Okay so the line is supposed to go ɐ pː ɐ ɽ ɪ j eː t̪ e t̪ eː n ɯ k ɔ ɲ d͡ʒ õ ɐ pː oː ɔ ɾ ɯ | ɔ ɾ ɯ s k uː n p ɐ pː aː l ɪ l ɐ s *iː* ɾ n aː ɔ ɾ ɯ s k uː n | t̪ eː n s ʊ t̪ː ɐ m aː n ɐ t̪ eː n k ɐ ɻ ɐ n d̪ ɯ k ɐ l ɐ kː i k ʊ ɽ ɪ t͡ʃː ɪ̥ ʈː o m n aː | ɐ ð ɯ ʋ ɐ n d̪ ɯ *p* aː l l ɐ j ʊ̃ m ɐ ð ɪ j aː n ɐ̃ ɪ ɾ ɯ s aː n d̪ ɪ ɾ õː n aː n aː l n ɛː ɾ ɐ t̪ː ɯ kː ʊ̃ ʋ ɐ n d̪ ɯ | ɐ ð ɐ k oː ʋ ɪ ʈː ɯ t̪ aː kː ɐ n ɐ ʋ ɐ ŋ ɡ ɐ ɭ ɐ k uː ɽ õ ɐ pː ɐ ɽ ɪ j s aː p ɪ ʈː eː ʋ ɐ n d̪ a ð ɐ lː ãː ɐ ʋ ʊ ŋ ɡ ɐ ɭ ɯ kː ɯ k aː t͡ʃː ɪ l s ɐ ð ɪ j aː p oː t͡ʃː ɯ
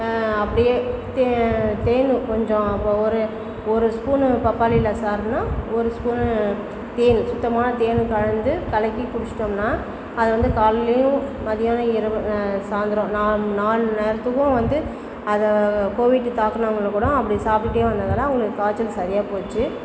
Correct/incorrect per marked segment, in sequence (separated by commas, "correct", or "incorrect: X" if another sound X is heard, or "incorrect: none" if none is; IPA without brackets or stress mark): incorrect: aː, incorrect: k